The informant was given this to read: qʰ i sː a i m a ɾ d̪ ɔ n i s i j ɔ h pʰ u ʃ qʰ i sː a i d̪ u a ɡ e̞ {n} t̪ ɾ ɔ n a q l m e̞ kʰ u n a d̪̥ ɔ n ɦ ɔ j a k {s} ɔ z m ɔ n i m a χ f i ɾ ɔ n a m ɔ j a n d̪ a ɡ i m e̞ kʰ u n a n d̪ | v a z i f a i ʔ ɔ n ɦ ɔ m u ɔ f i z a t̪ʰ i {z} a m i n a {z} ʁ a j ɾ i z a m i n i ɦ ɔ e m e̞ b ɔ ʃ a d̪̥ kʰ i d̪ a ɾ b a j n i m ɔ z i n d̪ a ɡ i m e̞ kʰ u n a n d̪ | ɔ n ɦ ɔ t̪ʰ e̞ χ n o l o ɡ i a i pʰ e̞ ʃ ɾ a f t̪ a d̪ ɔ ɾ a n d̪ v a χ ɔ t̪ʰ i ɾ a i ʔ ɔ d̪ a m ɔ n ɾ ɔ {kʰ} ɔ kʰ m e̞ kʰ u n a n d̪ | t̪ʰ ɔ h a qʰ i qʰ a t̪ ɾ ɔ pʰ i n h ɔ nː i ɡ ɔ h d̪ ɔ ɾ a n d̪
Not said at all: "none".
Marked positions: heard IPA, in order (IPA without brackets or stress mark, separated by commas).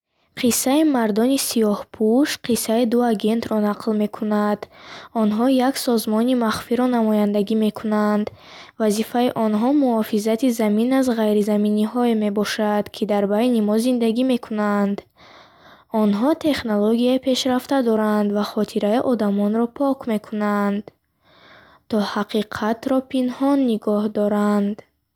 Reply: n, s, z, z, pʰ